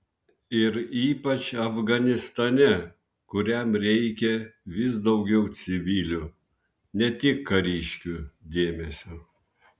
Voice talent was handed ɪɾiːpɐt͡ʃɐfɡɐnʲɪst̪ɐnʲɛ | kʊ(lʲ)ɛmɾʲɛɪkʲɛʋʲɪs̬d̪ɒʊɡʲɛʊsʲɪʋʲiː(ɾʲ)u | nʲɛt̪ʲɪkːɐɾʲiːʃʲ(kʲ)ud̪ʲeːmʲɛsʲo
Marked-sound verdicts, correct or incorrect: incorrect, incorrect, correct

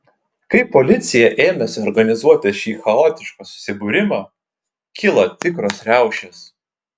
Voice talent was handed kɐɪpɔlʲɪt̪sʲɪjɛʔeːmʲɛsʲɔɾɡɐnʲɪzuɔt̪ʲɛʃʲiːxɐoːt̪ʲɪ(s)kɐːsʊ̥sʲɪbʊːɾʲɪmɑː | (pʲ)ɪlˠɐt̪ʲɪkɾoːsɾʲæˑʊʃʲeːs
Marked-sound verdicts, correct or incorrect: incorrect, incorrect

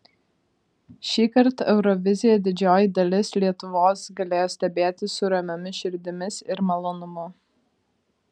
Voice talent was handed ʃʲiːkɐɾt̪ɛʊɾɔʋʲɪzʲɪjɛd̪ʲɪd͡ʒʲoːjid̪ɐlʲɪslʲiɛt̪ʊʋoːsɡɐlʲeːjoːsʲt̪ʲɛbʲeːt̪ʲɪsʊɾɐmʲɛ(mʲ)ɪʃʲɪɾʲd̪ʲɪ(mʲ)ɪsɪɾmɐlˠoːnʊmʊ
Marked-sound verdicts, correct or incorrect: correct, correct

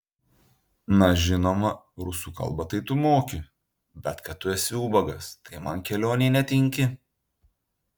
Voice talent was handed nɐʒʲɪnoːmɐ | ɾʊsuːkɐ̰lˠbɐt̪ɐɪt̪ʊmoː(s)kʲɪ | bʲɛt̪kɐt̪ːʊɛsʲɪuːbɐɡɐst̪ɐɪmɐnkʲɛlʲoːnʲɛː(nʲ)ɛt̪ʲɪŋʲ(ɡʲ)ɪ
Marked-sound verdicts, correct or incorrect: incorrect, correct, incorrect

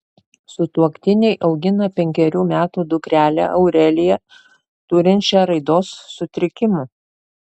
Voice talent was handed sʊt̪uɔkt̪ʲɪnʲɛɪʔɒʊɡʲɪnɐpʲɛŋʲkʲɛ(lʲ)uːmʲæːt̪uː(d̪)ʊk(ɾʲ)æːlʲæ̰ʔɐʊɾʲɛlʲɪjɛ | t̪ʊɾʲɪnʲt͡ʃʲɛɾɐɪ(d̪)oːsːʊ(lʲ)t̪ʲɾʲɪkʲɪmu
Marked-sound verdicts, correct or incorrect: incorrect, correct, correct, correct, incorrect

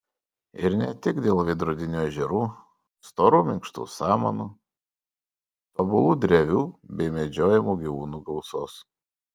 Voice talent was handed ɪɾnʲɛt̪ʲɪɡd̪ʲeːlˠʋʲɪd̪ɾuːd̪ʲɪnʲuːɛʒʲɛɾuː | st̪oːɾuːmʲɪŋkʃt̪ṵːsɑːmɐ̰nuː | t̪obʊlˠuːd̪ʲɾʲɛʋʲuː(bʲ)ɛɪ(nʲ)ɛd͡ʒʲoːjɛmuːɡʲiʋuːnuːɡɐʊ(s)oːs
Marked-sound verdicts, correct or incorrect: correct, incorrect, correct

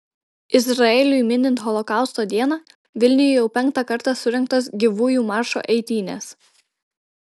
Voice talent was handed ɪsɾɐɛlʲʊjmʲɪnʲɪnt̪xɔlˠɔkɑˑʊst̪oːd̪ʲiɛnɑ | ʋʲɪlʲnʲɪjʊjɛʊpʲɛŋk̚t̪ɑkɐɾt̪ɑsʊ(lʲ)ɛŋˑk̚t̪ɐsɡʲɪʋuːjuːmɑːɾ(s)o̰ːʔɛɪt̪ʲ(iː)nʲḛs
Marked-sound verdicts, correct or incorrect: incorrect, incorrect, correct

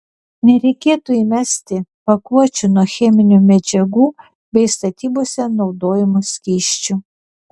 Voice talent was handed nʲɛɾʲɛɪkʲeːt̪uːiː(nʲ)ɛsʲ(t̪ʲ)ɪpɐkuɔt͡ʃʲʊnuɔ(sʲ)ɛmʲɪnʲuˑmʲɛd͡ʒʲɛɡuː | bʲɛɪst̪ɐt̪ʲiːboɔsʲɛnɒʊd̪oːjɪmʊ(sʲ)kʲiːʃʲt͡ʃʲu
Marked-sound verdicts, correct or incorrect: incorrect, correct, incorrect, correct

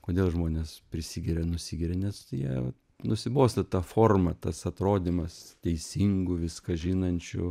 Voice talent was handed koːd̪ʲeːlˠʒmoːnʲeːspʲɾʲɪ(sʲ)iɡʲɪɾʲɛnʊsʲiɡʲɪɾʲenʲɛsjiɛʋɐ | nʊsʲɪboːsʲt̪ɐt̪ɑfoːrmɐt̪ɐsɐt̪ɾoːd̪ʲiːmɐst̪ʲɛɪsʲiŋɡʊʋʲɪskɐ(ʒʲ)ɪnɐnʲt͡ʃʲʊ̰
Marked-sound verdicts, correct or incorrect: correct, correct

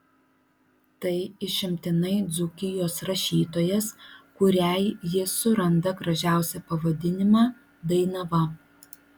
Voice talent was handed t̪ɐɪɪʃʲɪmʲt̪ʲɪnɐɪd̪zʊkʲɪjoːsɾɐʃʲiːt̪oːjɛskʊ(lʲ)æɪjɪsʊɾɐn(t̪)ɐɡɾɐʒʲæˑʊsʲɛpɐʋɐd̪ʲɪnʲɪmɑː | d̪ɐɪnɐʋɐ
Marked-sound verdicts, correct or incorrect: incorrect, incorrect

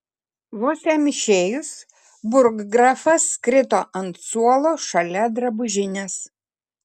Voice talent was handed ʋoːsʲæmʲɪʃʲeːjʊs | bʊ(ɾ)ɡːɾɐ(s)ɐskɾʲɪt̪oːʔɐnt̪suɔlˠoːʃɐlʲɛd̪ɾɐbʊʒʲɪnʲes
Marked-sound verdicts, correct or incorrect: correct, incorrect

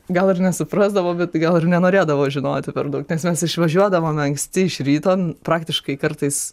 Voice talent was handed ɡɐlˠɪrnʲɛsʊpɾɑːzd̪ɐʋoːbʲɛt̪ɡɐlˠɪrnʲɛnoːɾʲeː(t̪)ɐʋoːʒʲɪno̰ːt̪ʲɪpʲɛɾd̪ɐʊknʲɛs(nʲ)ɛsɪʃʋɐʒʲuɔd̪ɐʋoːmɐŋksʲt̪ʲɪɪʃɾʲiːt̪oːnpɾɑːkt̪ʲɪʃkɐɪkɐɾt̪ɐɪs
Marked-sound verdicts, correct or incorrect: incorrect, incorrect

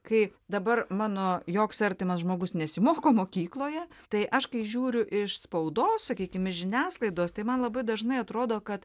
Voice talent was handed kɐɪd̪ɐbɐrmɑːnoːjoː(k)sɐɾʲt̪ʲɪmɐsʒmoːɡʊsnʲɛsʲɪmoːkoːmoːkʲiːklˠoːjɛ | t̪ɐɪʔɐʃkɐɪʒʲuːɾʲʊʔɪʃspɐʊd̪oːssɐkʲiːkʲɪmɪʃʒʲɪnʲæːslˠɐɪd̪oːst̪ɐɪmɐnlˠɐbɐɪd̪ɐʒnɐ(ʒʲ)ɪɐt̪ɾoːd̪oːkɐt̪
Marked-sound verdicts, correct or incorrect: correct, incorrect

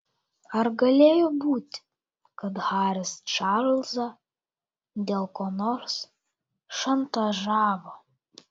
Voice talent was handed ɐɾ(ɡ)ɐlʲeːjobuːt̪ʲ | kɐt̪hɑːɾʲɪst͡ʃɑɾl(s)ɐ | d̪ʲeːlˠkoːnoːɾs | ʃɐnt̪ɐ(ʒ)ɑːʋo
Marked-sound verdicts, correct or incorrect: correct, incorrect, correct

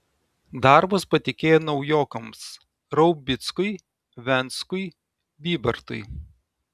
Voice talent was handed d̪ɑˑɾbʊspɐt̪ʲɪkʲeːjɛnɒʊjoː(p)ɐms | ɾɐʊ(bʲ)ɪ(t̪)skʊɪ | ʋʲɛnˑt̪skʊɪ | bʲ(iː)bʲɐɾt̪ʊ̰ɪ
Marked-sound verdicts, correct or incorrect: incorrect, correct, correct, correct

